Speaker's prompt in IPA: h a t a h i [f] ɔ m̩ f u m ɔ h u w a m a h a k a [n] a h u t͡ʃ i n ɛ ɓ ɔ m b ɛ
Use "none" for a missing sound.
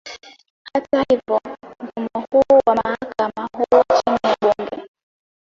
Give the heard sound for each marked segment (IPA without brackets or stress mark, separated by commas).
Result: v, m